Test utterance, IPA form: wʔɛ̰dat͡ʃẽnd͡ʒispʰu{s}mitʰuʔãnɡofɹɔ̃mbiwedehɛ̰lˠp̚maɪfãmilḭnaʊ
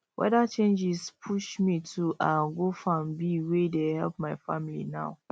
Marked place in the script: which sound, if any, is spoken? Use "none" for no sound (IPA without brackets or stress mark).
ʃ